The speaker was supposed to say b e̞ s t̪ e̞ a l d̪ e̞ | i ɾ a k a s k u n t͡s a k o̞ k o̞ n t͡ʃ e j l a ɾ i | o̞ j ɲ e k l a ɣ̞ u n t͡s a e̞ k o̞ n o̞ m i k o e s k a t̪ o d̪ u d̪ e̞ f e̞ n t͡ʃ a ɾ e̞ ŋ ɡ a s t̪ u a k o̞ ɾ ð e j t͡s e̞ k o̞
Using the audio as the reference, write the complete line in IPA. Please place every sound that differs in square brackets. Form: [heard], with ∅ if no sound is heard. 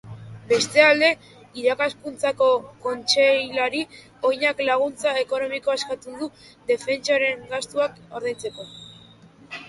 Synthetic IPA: b e̞ s t̪ e̞ a l d̪ e̞ | i ɾ a k a s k u n t͡s a k o̞ k o̞ n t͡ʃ e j l a ɾ i | o̞ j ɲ [a] k l a ɣ̞ u n t͡s a e̞ k o̞ n o̞ m i k o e s k a t̪ [u] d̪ u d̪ e̞ f e̞ n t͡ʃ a ɾ e̞ ŋ ɡ a s t̪ u a k o̞ ɾ ð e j t͡s e̞ k o̞